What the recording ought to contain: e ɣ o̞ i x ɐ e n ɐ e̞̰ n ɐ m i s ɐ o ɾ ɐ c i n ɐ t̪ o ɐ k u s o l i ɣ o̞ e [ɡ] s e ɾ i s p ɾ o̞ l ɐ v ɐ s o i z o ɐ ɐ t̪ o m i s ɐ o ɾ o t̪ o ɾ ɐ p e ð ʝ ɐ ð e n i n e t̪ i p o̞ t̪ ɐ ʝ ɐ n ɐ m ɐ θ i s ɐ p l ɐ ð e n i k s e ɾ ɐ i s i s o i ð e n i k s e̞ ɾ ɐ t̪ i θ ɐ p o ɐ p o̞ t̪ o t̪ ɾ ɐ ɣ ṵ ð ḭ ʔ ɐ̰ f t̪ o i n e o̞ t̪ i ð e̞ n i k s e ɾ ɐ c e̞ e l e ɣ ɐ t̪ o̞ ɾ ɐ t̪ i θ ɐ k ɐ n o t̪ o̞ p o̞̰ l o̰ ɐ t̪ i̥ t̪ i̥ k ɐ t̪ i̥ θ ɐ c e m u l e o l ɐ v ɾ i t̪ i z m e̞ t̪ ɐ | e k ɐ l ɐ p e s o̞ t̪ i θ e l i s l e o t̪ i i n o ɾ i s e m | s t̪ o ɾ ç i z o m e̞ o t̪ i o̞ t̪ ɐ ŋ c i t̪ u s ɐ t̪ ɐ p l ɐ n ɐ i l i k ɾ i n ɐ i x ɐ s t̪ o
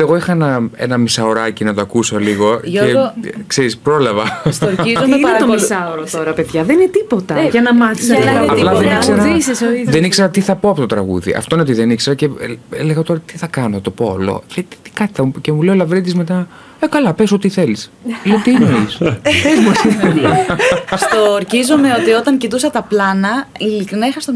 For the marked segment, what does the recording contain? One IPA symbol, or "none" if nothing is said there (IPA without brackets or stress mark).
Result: k